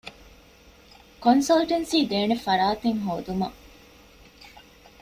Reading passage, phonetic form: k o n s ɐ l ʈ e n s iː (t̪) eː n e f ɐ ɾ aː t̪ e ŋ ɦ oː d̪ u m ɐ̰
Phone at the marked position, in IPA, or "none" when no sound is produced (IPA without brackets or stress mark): d̪